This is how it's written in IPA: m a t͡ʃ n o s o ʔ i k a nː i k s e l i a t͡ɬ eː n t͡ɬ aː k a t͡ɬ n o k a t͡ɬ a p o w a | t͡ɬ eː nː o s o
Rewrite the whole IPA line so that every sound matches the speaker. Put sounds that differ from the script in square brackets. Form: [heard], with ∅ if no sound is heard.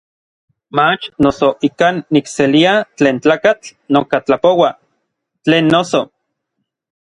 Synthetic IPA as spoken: m a t͡ʃ n o s o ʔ i k a nː i k s e l i a t͡ɬ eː n t͡ɬ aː k a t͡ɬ n o k a t͡ɬ a p o w a | t͡ɬ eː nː o s o

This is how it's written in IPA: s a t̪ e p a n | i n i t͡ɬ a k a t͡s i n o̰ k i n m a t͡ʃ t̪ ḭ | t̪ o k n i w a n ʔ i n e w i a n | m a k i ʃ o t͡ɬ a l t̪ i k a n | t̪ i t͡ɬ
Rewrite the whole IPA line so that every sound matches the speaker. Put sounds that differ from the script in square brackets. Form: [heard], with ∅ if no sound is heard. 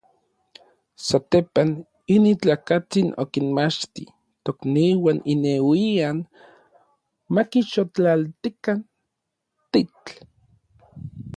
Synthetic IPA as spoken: s a t̪ e p a n | i n i t͡ɬ a k a t͡s i n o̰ k i n m a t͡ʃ t̪ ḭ | t̪ o k n i w a n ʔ i n e w i a n | m a k i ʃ o t͡ɬ a l t̪ i k a n | t̪ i t͡ɬ

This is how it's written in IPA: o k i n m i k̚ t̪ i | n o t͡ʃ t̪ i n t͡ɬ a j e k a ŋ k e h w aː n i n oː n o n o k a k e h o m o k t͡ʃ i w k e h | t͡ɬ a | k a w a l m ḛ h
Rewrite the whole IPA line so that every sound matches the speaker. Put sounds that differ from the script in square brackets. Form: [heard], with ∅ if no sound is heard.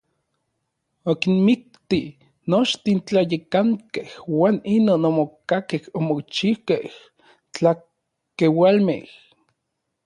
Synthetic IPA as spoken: o k i n m i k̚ t̪ i | n o t͡ʃ t̪ i n t͡ɬ a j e k a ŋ k e h w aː n i n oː n o [m] o k a k e h o m o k t͡ʃ i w k e h | t͡ɬ a | k [e] w a l m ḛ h

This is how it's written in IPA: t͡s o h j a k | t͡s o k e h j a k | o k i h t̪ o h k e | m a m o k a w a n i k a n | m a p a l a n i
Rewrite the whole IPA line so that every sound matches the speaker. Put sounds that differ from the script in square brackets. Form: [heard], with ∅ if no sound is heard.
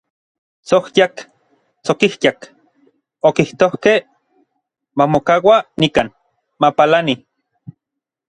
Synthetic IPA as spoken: t͡s o h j a k | t͡s o k [i] h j a k | o k i h t̪ o h k e | m a m o k a w a n i k a n | m a p a l a n i

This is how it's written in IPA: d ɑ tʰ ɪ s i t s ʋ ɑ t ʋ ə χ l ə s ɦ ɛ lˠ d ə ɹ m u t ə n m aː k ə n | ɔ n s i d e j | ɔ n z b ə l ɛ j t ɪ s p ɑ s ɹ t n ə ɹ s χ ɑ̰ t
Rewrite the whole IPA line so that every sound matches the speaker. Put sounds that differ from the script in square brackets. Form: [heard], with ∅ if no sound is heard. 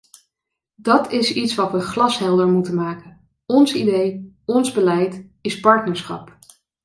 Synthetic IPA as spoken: d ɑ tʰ ɪ s i t s ʋ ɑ t ʋ ə χ l [ɑ] s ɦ ɛ lˠ d ə ɹ m u t ə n m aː k ə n | ɔ n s i d e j | ɔ n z b ə l ɛ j t ɪ s p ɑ [∅] ɹ t n ə ɹ s χ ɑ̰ [p]

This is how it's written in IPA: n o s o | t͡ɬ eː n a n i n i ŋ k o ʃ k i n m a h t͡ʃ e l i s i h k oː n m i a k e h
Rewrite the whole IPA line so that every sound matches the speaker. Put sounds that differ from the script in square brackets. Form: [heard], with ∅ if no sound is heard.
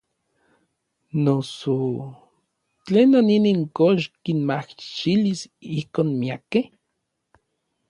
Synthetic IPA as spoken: n o s o | t͡ɬ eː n a n i n i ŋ k o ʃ k i n m a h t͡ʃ [i] l i s i h k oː n m i a k e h

